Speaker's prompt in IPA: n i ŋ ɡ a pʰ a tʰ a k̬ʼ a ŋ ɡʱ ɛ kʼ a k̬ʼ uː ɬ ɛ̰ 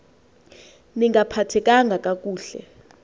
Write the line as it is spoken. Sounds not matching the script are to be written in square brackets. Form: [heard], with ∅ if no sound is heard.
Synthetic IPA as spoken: n i ŋ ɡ a pʰ a tʰ [ɛ] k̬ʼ a ŋ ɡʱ [a] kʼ a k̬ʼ uː ɬ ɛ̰